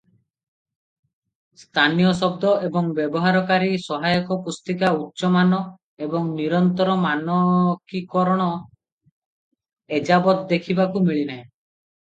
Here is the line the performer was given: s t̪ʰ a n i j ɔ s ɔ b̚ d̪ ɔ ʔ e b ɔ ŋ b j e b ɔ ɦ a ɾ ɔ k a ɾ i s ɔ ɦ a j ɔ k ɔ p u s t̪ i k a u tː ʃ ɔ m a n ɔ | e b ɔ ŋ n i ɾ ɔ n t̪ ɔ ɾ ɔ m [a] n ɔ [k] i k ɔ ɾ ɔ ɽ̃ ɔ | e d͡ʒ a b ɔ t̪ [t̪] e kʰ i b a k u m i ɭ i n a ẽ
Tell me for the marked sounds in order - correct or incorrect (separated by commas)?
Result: correct, correct, incorrect